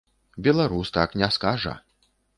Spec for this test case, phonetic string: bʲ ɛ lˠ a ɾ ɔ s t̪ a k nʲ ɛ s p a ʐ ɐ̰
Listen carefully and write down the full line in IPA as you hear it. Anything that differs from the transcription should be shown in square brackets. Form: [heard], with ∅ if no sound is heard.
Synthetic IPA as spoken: bʲ ɛ lˠ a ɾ [u] s t̪ a k nʲ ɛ s [k] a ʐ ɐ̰